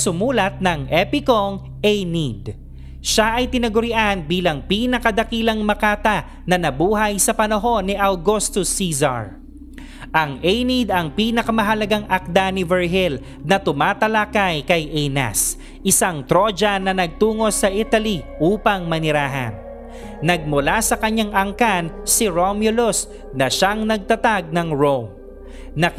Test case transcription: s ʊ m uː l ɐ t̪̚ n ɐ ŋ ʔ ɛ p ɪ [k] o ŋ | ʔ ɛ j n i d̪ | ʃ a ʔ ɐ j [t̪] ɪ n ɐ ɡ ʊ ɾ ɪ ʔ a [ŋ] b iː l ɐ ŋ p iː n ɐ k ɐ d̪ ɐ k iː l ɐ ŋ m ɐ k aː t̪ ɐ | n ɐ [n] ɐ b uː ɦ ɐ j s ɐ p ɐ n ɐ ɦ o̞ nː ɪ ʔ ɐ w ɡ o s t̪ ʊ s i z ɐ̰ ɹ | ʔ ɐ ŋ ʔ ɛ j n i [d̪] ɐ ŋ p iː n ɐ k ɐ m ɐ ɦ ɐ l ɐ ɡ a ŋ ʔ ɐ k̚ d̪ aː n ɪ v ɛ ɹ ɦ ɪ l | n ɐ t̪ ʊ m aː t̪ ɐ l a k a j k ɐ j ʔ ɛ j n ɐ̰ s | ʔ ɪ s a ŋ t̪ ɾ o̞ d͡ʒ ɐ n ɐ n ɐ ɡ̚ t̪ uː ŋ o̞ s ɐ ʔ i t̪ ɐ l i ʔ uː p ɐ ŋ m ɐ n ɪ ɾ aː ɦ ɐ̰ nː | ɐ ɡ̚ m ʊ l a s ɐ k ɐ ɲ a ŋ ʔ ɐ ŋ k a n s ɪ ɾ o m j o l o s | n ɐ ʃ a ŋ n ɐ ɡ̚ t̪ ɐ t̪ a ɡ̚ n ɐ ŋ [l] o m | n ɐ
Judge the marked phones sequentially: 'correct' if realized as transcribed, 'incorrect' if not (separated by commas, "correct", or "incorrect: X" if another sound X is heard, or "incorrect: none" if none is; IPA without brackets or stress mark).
correct, correct, incorrect: n, correct, correct, incorrect: ɹ